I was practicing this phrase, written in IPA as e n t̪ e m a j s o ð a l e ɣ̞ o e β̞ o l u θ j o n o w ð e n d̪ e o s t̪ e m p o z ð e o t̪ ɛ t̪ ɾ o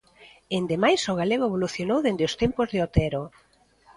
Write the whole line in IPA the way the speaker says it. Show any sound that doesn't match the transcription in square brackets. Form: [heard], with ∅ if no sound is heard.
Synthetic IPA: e n [d̪] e m a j s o [ɣ] a l e ɣ̞ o e β̞ o l u θ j o n o w ð e n d̪ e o s t̪ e m p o z ð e o t̪ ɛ [∅] ɾ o